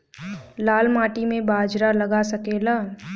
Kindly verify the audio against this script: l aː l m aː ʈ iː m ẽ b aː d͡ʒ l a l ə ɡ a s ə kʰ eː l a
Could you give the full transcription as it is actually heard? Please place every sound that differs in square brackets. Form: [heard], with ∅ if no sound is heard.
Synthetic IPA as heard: l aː l m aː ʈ [i] m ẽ b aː d͡ʒ [ɾ] a l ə ɡ a s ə [k] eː l a